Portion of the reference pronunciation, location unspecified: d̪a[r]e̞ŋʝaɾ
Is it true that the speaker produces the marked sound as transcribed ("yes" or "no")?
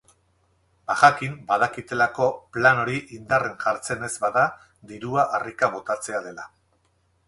yes